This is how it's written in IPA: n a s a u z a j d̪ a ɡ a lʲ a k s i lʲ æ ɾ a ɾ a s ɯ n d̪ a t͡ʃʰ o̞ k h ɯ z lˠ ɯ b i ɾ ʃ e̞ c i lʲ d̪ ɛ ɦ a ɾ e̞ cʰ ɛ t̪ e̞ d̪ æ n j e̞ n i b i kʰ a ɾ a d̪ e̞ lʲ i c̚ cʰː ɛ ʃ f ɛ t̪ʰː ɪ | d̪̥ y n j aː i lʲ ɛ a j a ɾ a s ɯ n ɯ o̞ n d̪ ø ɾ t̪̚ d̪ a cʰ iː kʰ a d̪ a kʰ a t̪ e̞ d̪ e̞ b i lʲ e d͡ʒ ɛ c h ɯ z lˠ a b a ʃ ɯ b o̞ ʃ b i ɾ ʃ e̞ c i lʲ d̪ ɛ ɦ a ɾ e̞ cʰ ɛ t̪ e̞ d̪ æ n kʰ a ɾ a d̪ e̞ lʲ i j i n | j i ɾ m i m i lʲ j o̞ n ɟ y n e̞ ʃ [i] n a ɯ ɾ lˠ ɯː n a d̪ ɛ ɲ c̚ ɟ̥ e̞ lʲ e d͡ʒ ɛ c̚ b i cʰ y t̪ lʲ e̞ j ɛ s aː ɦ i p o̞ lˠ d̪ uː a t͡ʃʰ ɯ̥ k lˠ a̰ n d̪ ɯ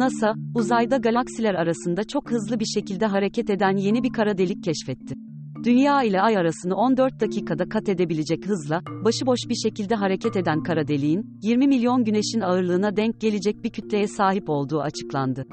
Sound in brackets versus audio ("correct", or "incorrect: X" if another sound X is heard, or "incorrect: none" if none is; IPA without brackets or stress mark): correct